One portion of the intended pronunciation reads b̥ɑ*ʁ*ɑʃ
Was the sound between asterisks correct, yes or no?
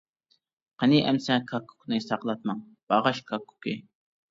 yes